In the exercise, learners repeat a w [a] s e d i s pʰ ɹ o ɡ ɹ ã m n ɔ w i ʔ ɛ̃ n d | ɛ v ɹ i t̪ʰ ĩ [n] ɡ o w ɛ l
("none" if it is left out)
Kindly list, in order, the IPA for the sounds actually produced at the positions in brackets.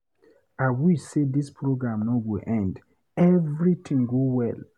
i, ŋ

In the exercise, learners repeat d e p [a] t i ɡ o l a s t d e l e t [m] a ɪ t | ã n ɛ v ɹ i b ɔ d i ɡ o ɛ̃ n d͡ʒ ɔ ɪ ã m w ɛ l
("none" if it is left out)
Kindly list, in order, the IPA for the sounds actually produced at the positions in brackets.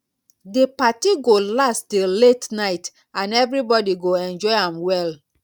a, n

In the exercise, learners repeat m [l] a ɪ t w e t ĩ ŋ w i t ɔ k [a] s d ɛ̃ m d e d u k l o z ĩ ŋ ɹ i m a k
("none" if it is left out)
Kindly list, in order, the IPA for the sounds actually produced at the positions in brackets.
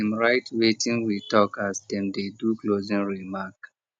ɹ, a

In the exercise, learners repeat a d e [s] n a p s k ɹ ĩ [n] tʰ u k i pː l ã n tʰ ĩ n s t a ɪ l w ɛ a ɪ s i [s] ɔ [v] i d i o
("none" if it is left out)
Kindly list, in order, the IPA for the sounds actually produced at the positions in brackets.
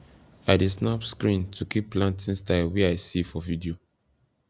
s, n, f, v

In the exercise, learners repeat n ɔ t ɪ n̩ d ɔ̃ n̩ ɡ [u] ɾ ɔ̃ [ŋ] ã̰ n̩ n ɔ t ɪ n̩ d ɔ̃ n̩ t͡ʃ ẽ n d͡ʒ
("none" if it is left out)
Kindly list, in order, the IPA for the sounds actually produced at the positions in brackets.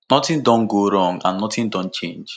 o, ŋ

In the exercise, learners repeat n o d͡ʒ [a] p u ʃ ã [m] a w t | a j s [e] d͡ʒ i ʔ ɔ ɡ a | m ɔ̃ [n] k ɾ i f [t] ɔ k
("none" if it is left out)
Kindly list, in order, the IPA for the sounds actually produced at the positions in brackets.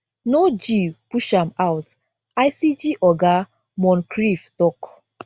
i, m, i, n, t

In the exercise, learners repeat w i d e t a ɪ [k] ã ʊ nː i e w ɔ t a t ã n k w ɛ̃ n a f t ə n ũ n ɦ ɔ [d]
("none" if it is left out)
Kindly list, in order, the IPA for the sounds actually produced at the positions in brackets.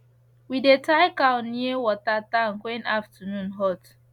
k, t

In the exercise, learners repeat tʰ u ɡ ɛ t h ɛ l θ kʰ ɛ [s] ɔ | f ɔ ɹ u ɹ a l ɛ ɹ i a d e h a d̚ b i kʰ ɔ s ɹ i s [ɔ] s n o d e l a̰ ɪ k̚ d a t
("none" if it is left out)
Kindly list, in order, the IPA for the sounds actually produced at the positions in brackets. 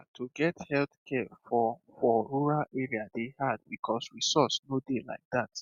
f, ɔ

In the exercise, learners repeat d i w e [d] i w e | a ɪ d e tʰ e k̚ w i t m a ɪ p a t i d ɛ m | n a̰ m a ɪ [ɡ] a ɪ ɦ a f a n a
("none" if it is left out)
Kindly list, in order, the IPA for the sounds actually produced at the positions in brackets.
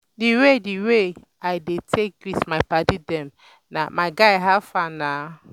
d, ɡ

